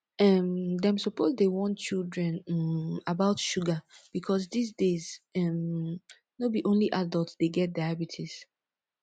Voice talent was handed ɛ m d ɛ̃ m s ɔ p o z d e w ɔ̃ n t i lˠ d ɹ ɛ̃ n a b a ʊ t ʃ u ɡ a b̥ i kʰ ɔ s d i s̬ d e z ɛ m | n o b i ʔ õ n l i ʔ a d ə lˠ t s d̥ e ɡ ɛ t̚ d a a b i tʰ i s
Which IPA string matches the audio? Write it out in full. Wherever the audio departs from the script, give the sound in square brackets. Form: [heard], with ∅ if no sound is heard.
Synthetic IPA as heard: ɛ m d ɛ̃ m s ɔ p o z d e w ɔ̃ n [t͡ʃ] i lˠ d ɹ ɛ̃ n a b a ʊ t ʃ u ɡ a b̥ i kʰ ɔ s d i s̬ d e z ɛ m | n o b i ʔ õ n l i ʔ a d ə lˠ t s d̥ e ɡ ɛ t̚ d a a b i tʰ i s